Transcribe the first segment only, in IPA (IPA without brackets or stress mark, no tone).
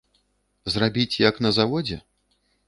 z